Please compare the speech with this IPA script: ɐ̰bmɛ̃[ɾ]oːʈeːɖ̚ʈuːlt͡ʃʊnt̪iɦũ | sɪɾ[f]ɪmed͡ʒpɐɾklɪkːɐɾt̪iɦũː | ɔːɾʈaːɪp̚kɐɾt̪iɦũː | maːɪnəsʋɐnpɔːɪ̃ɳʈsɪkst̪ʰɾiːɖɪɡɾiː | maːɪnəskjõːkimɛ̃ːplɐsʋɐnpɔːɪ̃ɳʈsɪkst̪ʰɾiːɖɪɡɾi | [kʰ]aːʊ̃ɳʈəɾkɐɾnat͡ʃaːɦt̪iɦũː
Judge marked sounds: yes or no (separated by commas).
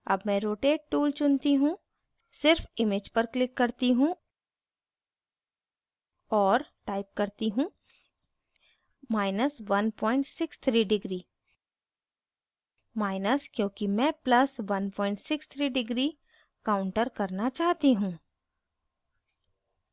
yes, yes, no